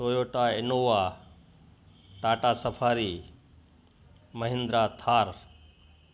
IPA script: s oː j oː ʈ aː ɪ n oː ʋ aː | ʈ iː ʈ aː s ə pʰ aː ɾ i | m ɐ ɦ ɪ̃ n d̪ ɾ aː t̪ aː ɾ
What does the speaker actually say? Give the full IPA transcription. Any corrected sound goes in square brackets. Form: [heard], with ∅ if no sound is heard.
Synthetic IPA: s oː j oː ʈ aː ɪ n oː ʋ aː | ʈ [aː] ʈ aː s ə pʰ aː ɾ i | m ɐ ɦ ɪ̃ n d̪ ɾ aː [t̪ʰ] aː ɾ